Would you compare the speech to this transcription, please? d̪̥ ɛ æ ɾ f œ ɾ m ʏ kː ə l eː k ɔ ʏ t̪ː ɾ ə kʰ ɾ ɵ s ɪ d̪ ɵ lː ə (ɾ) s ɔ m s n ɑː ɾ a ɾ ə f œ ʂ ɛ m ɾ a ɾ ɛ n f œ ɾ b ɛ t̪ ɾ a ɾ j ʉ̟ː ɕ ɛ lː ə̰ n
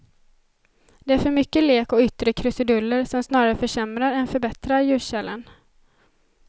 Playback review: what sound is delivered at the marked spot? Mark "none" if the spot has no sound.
ɾ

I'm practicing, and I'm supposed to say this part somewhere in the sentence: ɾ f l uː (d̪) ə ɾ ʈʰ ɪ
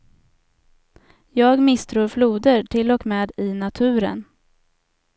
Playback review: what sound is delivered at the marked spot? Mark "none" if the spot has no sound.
d̪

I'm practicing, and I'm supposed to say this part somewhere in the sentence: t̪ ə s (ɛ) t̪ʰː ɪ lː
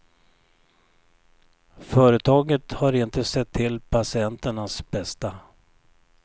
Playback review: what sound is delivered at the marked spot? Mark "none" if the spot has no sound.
ɛ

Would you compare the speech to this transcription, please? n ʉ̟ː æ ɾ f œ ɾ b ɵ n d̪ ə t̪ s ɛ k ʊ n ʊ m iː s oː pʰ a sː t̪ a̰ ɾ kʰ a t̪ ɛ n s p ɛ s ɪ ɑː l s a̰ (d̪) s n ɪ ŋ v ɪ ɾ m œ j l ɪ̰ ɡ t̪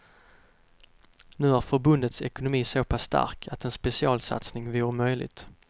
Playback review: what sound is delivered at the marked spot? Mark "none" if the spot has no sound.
t̪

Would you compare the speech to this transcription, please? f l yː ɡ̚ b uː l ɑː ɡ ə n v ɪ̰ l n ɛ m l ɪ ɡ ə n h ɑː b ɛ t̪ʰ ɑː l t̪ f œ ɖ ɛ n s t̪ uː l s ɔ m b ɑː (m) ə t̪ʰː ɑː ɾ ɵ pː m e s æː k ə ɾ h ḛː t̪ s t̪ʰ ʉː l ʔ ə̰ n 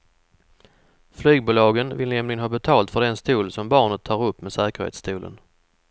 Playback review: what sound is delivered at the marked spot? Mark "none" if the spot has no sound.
ɳ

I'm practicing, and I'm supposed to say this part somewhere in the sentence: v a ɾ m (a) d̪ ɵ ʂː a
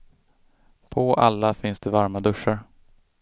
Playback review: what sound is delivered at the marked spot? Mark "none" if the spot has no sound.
a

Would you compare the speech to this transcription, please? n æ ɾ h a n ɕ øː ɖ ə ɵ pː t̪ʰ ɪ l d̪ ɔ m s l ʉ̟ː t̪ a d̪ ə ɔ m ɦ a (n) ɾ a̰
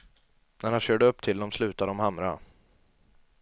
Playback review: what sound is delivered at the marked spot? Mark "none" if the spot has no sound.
m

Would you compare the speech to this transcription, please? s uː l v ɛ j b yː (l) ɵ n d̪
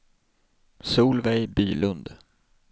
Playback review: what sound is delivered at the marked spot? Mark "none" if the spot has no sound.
l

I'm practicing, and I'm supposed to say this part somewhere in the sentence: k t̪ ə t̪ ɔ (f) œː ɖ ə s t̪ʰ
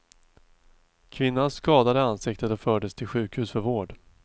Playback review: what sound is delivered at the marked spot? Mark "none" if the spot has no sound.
f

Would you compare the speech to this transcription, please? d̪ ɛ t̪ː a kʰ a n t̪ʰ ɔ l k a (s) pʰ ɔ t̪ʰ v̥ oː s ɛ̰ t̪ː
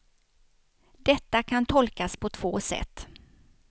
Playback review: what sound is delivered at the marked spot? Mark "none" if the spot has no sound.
s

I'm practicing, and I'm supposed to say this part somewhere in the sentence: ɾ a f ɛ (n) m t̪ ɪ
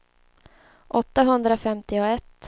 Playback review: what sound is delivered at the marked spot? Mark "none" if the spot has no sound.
none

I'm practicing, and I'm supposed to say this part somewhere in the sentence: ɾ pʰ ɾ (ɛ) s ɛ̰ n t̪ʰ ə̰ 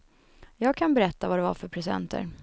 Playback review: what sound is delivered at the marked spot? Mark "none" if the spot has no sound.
ɛ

